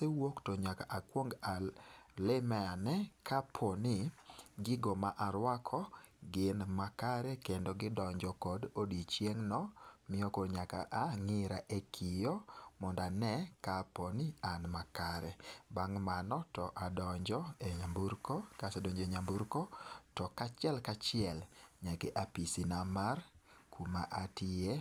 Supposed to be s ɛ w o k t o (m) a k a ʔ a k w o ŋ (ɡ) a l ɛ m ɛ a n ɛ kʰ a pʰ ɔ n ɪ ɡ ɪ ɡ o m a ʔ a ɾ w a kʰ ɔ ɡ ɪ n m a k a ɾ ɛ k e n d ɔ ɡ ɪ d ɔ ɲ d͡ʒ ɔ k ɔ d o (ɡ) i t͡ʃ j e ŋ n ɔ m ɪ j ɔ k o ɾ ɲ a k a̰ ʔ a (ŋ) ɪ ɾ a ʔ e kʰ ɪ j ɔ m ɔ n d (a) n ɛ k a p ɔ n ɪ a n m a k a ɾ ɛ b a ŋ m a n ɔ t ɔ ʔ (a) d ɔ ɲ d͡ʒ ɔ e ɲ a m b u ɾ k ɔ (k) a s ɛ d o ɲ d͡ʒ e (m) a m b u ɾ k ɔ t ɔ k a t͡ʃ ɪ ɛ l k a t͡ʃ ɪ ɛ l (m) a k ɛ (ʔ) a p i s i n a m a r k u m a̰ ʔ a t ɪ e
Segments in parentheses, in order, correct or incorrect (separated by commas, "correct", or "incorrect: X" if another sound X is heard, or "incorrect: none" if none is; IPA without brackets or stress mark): incorrect: ɲ, correct, incorrect: d, correct, correct, correct, correct, incorrect: ɲ, incorrect: ɲ, correct